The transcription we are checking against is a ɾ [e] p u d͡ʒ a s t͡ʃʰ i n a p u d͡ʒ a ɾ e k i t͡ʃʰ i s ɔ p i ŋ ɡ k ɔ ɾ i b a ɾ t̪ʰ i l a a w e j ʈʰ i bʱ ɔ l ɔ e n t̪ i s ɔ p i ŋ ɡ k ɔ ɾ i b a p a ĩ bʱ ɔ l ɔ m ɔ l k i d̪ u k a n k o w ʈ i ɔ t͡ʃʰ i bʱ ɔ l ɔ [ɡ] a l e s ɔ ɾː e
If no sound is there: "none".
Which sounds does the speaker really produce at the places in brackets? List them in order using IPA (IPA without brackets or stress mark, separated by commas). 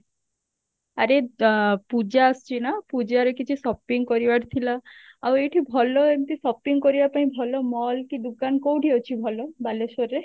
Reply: e, b